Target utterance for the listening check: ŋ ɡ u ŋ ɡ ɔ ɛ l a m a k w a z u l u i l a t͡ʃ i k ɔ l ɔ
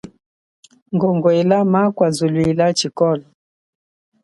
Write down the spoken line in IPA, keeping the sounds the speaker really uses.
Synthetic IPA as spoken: ŋ ɡ ɔ ŋ ɡ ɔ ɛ l a m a k w a z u l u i l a t͡ʃ i k ɔ l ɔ